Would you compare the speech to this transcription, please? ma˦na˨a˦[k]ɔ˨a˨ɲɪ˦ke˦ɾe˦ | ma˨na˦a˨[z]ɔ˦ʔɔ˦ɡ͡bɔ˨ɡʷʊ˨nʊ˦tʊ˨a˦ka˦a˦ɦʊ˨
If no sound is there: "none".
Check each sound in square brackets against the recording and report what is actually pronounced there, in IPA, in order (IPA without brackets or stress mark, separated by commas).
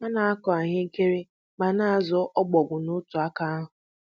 k, z